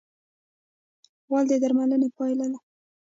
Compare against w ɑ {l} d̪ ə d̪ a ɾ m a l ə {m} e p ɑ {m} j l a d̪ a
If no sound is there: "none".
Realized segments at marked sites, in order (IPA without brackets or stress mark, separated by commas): l, n, none